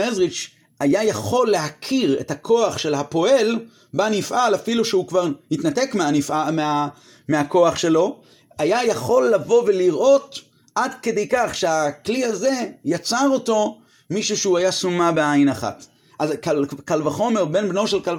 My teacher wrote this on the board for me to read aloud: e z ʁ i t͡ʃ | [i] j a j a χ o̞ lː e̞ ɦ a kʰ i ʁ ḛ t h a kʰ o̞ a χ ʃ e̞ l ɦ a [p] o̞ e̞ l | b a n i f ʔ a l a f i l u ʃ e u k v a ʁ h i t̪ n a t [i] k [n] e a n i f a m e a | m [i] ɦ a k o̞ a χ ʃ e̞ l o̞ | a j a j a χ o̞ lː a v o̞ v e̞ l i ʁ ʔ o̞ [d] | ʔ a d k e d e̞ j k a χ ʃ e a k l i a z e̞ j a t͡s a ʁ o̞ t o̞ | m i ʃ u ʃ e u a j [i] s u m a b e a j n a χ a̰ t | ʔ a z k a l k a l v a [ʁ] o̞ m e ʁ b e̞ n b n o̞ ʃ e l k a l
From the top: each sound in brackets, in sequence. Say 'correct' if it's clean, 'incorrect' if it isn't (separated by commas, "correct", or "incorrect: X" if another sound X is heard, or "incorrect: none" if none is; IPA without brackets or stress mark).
incorrect: a, correct, incorrect: e, incorrect: m, incorrect: e, incorrect: t, incorrect: a, incorrect: χ